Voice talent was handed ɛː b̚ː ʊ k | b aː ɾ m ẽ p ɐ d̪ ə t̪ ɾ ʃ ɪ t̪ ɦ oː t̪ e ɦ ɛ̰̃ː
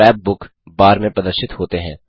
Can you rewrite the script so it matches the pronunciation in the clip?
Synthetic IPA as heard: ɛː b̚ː ʊ k | b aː ɾ m ẽ p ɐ d̪ ə ɾ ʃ ɪ t̪ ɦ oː t̪ e ɦ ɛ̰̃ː